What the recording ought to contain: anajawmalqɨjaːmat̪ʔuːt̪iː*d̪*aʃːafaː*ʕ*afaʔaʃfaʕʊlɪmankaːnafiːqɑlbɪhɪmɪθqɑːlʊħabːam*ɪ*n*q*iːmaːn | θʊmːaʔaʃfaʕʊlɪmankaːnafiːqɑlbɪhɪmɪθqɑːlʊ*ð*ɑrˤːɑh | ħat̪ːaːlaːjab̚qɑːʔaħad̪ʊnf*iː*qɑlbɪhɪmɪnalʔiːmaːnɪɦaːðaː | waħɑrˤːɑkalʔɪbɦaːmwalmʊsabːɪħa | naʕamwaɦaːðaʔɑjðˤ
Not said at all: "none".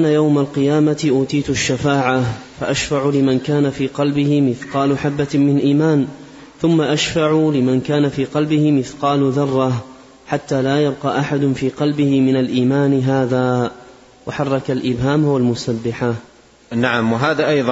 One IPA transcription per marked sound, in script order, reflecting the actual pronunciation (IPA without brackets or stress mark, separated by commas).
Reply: t̪, ʕ, ɪ, ʔ, ð, iː